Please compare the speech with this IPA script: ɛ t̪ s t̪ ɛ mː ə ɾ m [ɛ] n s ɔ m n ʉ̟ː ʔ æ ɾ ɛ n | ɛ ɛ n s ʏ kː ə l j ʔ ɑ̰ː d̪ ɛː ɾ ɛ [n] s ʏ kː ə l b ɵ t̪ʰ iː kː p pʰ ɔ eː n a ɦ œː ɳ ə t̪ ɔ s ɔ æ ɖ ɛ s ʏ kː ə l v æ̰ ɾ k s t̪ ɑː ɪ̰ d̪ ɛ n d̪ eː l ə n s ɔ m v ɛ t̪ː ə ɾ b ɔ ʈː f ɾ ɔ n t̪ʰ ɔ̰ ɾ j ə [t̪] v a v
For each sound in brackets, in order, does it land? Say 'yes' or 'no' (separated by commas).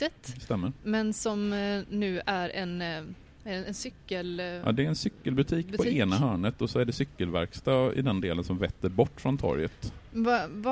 yes, yes, yes